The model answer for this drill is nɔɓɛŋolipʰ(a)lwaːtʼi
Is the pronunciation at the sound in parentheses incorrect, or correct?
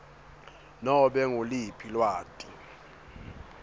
incorrect